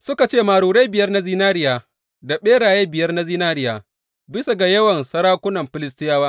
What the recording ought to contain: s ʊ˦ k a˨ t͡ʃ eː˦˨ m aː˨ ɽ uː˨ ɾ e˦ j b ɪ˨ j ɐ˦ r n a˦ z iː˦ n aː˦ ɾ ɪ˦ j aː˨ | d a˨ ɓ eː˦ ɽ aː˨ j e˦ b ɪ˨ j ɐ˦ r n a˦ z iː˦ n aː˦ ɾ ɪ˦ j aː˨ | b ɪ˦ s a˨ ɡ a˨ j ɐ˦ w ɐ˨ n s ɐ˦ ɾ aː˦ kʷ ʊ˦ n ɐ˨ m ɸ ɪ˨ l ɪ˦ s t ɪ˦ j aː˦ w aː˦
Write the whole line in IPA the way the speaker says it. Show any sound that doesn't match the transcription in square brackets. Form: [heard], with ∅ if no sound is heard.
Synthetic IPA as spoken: s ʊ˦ k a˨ t͡ʃ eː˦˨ m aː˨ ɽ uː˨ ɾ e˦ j b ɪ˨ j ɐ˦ r n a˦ z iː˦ n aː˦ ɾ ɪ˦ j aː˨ | d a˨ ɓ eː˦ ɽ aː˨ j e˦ b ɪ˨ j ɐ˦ r n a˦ z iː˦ n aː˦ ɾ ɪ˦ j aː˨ | b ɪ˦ s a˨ ɡ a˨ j ɐ˦ w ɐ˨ n s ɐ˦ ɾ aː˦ kʷ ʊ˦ n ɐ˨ m ɸ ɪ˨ l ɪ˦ s t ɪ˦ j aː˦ w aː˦